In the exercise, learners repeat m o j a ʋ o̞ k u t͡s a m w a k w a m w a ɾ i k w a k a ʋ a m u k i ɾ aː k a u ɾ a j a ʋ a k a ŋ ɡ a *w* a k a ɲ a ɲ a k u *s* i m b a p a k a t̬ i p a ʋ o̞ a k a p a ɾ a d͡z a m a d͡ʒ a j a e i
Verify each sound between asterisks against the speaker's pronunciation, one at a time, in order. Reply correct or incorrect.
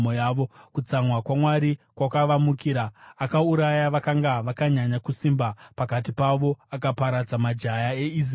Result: incorrect, correct

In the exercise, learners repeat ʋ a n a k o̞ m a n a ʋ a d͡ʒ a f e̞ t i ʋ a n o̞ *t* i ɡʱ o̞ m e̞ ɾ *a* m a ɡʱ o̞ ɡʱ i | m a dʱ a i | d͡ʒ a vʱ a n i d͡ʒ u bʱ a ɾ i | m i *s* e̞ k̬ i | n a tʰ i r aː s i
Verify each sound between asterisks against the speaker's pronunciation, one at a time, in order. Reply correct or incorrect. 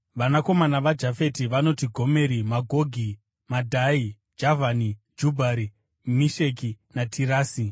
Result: correct, incorrect, incorrect

